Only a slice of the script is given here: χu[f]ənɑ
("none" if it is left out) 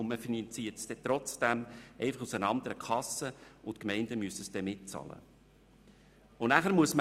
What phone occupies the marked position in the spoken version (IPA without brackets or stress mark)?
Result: s